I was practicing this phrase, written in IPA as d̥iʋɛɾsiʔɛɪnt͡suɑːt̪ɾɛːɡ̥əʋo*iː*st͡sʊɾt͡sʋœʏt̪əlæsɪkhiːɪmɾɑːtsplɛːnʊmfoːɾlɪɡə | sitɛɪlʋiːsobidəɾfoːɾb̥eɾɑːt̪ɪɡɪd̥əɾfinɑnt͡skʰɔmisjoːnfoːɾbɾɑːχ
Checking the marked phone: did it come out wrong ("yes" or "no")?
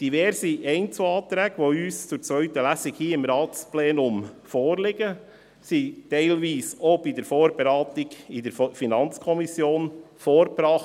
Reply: yes